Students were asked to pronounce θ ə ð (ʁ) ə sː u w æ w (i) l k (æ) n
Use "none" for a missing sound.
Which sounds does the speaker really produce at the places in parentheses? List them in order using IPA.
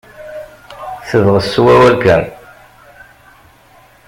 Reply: ʁ, æ, æ

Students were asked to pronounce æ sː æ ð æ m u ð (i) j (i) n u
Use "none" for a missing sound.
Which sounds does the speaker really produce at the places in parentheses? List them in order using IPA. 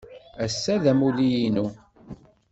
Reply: i, i

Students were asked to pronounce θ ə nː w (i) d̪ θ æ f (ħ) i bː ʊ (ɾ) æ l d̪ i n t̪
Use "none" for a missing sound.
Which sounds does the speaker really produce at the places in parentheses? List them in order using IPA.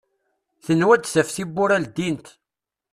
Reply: æ, θ, ɾ

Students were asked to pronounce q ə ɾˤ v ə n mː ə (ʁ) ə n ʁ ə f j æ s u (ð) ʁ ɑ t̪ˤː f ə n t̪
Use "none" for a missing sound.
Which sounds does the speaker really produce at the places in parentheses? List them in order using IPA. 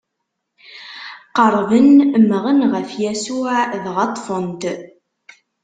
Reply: ʁ, ð

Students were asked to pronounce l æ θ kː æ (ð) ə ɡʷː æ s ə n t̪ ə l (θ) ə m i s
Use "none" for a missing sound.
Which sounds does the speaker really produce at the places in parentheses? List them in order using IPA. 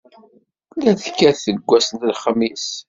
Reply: θ, χ

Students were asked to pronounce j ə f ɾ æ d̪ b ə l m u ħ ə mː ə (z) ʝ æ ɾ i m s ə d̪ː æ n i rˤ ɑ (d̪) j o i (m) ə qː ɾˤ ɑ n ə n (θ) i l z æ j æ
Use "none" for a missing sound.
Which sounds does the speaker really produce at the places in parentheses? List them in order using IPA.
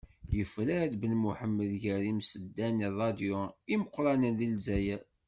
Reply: ð, d̪, m, ð

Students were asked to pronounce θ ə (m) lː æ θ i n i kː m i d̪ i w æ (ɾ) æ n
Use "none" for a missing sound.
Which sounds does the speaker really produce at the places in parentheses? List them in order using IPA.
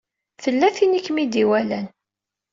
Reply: none, l

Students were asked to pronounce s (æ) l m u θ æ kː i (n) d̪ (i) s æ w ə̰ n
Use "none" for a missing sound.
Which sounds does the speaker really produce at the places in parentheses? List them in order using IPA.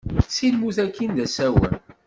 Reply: i, n, æ

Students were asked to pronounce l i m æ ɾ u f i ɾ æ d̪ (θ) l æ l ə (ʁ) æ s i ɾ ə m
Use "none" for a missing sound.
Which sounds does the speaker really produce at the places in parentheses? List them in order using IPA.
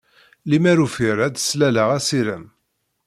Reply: s, ʁ

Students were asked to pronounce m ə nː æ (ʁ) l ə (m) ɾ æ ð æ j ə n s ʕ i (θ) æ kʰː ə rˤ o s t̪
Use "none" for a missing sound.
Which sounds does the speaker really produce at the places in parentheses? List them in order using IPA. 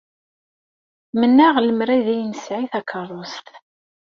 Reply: ʁ, m, θ

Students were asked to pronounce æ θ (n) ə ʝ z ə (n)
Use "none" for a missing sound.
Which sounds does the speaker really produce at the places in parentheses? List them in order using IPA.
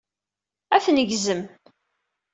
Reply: n, m

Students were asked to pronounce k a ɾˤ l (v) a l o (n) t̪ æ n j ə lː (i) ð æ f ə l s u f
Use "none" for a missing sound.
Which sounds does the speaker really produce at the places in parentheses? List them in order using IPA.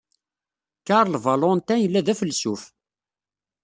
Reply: v, n, æ

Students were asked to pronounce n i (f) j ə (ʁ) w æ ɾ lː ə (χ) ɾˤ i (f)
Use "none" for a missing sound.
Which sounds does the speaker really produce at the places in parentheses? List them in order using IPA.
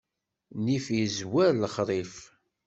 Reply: f, z, χ, f

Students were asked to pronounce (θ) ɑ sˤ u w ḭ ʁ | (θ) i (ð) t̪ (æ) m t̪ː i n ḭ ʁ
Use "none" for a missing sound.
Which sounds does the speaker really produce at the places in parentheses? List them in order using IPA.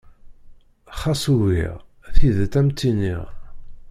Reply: χ, θ, ð, æ

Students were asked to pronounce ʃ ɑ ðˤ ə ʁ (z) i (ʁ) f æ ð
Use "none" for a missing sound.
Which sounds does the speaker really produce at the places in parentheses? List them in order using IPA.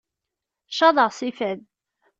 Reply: s, none

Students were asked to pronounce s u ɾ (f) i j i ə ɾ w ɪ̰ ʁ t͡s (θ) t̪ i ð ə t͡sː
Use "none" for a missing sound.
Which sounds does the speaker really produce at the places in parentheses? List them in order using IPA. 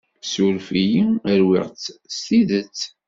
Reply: f, s

